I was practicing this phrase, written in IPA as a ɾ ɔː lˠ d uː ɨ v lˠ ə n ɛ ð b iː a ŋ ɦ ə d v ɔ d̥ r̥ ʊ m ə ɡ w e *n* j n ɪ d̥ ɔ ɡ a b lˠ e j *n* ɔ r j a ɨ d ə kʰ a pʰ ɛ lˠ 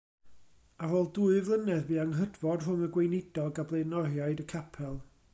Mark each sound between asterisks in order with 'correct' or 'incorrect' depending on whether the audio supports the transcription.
incorrect, correct

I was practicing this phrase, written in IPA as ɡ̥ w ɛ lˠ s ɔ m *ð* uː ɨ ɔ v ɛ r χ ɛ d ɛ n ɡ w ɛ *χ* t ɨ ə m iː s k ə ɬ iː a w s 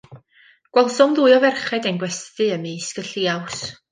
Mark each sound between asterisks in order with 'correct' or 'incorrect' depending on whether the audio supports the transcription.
correct, incorrect

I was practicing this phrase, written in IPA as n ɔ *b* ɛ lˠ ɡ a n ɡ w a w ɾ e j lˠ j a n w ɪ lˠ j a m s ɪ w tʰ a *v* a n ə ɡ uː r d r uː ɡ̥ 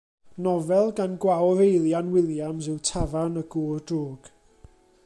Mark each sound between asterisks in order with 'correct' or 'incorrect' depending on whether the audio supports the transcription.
incorrect, correct

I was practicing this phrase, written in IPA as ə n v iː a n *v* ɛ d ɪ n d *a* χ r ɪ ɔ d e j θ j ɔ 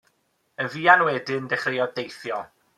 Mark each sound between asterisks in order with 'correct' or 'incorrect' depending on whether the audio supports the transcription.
incorrect, incorrect

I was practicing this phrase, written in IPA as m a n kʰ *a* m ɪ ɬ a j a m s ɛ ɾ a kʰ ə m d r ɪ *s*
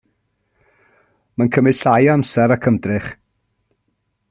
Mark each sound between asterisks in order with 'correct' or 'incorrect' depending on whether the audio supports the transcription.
incorrect, incorrect

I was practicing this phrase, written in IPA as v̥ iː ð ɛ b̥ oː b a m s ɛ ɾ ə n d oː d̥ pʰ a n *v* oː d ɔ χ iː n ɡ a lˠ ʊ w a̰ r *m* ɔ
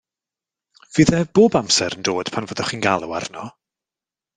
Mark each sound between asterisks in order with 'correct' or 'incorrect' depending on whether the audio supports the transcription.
correct, incorrect

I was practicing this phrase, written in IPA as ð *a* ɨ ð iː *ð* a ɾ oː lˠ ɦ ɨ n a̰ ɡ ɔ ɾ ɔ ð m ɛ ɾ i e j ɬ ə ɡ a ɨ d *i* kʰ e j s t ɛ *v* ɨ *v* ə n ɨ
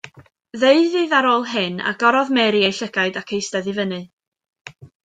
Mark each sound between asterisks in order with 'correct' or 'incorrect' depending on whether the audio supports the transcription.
incorrect, correct, incorrect, incorrect, correct

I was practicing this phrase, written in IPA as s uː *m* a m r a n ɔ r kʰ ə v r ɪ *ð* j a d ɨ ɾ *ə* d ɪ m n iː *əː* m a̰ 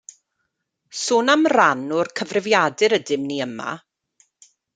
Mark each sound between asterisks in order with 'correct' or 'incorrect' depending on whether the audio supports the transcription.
incorrect, incorrect, correct, incorrect

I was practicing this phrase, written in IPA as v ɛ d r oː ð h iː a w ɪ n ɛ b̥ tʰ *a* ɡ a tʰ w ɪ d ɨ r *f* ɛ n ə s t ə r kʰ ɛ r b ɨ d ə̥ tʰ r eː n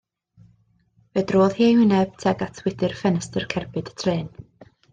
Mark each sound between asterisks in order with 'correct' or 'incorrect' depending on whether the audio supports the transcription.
incorrect, correct

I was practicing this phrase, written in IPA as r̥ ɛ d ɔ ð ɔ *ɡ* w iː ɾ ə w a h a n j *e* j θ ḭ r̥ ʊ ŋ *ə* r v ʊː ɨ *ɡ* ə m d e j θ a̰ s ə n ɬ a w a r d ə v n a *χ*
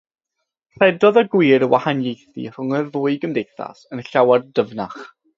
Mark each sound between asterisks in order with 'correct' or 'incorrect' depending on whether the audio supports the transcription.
correct, correct, correct, correct, correct

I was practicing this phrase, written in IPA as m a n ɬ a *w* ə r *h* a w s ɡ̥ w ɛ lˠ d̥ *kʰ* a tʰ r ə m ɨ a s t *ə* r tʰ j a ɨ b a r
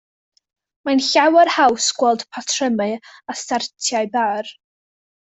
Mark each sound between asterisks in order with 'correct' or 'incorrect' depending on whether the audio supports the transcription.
correct, correct, incorrect, incorrect

